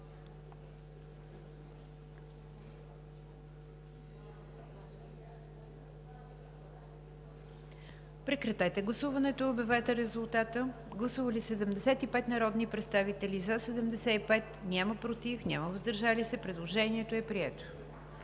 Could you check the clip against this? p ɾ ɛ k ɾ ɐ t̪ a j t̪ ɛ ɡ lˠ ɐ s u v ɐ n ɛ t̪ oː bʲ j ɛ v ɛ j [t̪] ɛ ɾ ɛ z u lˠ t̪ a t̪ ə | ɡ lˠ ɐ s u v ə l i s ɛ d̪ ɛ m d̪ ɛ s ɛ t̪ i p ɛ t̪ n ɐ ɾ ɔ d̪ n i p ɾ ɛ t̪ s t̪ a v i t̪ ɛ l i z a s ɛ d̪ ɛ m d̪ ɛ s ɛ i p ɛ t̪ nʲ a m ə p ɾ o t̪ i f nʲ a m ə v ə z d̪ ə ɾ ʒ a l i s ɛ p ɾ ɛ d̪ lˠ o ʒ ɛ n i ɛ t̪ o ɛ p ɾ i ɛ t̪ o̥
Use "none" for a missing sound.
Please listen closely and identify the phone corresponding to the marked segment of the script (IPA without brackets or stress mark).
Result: t̪